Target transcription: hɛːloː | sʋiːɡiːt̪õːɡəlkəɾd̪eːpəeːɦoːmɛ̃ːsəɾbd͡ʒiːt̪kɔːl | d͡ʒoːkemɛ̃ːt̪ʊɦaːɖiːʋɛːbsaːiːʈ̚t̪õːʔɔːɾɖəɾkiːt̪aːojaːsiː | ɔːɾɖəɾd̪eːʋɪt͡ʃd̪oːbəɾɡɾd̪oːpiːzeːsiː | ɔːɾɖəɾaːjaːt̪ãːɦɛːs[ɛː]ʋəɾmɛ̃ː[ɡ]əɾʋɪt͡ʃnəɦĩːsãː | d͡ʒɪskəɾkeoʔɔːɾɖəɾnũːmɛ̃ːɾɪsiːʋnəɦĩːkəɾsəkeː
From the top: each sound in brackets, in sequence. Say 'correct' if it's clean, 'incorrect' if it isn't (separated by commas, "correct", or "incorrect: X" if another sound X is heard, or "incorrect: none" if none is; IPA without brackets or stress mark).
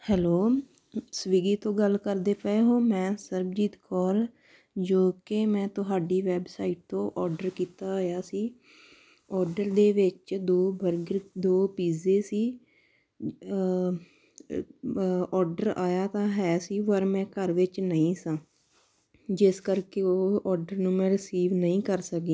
incorrect: iː, incorrect: k